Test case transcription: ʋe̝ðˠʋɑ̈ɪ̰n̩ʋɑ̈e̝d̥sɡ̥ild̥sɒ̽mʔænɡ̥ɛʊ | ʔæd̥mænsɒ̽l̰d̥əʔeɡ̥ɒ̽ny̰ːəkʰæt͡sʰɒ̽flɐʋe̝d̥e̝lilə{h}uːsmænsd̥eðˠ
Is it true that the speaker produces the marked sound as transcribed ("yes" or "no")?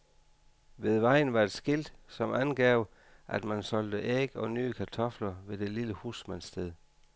yes